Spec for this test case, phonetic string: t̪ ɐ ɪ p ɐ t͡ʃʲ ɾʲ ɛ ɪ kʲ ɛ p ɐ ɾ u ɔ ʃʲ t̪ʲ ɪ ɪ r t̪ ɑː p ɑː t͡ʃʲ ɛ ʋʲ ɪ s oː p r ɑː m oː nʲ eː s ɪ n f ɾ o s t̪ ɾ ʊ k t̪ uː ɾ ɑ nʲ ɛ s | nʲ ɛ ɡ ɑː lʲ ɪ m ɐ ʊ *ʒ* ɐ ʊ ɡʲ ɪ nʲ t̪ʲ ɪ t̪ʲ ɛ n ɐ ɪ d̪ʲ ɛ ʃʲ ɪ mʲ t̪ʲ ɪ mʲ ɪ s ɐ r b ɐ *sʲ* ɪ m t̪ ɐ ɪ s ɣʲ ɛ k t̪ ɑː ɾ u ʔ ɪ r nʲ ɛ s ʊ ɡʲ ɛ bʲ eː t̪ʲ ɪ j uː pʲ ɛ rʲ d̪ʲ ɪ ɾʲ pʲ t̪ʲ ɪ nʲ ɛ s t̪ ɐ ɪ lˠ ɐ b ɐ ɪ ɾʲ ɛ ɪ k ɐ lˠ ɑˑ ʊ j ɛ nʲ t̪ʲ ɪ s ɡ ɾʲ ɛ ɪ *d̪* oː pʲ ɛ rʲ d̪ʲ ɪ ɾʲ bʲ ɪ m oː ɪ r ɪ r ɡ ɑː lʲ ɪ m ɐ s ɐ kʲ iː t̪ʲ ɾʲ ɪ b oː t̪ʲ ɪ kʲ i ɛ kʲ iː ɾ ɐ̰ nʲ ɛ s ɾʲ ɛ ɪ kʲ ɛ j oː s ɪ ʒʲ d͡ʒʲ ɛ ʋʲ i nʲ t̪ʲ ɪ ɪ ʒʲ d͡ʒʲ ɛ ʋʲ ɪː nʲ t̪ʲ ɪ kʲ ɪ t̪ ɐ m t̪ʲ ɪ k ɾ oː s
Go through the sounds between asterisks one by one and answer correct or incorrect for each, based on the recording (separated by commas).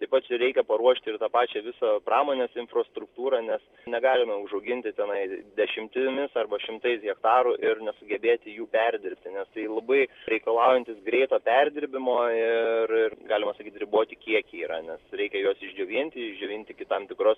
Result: correct, incorrect, incorrect